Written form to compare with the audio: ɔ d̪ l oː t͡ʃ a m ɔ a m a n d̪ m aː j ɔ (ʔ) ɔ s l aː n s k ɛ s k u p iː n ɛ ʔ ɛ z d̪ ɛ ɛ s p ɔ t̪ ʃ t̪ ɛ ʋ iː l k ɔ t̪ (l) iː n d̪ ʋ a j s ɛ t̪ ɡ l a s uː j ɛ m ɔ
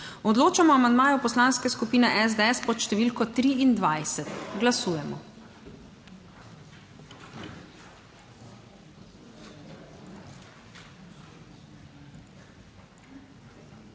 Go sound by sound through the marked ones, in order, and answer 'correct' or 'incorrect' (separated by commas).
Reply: incorrect, incorrect